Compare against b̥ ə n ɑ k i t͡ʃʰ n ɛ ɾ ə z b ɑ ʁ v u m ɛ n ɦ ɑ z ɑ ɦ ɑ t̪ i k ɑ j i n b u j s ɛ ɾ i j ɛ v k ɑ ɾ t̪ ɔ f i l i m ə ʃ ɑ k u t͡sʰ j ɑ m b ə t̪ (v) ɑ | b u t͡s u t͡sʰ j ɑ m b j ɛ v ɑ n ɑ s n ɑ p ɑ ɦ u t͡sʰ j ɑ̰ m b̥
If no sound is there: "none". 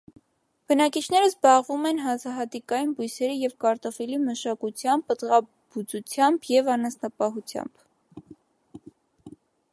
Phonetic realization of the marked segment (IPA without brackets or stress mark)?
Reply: ʁ